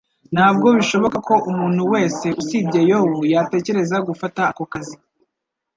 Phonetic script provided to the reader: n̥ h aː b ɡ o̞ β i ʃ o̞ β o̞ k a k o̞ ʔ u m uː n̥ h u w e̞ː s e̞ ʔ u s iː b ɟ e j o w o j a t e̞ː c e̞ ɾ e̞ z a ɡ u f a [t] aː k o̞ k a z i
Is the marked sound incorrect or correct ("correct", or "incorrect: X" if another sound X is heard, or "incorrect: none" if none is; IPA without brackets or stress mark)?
correct